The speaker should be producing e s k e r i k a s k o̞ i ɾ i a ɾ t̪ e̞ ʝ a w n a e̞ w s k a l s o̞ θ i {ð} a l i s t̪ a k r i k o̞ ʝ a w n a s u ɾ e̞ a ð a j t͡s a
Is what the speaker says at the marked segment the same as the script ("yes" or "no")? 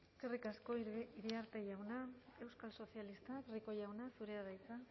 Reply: no